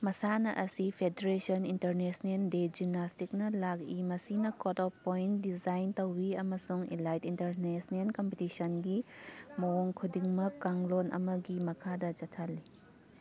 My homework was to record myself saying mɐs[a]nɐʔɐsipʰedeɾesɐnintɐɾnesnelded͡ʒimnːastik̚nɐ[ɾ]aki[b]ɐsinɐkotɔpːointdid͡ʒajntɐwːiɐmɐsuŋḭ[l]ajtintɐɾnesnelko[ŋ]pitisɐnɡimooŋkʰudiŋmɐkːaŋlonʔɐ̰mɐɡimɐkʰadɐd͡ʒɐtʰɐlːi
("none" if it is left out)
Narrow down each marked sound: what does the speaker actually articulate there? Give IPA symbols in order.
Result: a, l, m, l, m

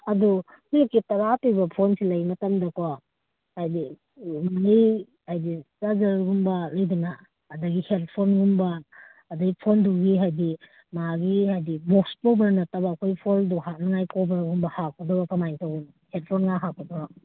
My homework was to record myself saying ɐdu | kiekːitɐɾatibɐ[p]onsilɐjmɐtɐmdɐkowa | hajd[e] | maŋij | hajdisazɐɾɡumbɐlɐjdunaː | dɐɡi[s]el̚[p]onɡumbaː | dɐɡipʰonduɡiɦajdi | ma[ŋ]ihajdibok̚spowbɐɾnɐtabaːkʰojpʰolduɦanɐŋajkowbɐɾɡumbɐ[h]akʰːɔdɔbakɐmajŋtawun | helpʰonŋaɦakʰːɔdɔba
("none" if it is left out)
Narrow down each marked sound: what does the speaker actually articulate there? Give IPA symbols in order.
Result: pʰ, i, h, pʰ, ɡ, h

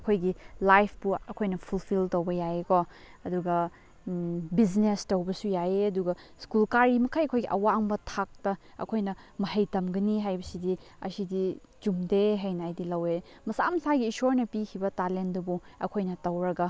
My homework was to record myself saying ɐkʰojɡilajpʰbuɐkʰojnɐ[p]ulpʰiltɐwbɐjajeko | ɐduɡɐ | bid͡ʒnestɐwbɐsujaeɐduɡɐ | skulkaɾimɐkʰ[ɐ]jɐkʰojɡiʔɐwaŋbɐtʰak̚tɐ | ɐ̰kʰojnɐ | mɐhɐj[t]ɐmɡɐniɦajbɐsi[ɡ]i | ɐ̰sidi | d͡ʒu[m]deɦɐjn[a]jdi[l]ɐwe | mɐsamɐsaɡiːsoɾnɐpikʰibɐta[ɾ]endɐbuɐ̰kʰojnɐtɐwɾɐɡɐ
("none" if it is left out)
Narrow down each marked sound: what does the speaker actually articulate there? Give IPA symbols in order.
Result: pʰ, a, t, d, m, a, l, l

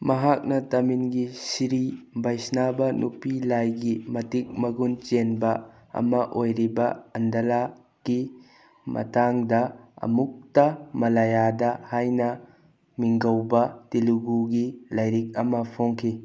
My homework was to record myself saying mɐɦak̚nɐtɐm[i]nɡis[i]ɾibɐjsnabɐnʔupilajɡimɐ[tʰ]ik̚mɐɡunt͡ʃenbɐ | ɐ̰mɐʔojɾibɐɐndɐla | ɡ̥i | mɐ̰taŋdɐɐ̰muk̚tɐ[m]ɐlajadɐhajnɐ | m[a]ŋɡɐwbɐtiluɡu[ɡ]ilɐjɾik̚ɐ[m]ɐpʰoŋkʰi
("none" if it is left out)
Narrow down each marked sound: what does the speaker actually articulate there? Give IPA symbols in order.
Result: i, i, t, m, i, ɡ, m

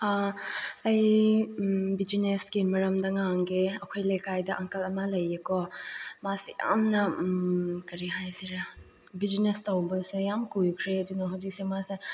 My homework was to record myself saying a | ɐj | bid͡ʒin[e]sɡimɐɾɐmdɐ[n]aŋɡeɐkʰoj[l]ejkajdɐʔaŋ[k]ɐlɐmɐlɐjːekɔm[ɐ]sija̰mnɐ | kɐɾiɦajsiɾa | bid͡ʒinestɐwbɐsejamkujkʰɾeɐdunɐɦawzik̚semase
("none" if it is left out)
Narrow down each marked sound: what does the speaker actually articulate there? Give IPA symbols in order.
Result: e, ŋ, l, k, a

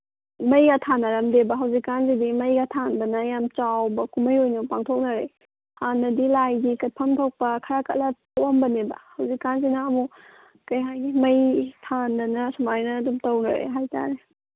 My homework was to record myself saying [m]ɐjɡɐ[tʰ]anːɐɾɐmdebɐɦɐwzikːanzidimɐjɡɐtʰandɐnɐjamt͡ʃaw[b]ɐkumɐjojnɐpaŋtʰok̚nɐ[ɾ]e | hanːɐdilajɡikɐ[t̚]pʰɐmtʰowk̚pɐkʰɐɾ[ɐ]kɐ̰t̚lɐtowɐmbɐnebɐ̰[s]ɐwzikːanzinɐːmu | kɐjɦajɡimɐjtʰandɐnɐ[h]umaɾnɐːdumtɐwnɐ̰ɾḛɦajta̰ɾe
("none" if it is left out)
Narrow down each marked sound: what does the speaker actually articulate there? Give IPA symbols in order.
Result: m, tʰ, b, ɾ, t̚, a, h, s

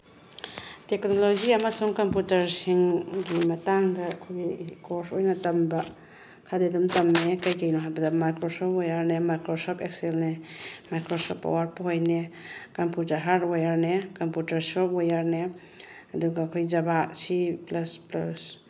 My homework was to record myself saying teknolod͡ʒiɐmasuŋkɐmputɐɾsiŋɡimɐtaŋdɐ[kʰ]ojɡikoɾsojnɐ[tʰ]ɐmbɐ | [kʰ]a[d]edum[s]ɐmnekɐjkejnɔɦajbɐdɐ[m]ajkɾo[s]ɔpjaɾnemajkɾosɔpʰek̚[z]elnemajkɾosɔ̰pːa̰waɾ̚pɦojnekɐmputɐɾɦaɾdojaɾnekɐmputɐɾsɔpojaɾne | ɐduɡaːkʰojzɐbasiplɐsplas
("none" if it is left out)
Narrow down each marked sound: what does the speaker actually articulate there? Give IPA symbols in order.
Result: kʰ, t, kʰ, d, t, m, s, s

